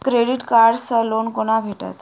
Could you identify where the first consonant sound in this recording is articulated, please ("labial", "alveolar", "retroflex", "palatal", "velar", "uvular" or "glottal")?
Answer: velar